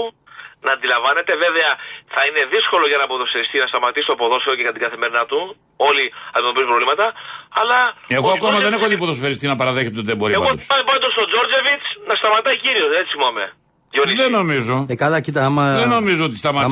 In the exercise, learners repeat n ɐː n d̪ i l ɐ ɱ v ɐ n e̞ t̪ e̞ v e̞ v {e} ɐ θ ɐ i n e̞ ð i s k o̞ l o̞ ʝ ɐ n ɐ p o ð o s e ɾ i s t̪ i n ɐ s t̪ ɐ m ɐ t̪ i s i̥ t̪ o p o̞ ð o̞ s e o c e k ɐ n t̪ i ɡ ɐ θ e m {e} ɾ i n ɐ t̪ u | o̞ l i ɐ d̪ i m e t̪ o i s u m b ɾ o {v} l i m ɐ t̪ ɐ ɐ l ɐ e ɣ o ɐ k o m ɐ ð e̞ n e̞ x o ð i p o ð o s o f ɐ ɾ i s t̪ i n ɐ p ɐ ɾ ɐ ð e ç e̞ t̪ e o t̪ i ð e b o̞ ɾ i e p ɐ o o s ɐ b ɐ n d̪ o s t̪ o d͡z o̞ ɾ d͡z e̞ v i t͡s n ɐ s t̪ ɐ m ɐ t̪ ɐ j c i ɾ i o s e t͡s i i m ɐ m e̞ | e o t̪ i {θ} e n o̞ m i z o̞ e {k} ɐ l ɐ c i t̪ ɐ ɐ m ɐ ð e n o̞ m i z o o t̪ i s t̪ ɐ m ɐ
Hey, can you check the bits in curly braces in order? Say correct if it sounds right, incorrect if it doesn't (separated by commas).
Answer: correct, correct, correct, incorrect, correct